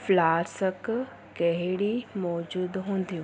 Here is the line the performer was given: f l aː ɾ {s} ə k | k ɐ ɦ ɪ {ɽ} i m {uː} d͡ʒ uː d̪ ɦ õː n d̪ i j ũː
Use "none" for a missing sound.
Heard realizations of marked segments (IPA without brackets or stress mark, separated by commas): s, ɽ, ɔː